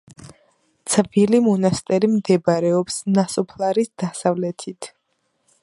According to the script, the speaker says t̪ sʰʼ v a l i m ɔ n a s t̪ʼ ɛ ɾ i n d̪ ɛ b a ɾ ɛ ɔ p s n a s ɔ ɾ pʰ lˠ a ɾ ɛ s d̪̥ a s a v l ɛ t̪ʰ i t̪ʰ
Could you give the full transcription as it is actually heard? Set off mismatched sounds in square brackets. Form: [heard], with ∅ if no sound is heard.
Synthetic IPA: t̪ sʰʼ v [i] l i m ɔ n a s t̪ʼ ɛ ɾ i [m] d̪ ɛ b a ɾ ɛ ɔ p s n a s ɔ [∅] pʰ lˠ a ɾ [i] s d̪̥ a s a v l ɛ t̪ʰ i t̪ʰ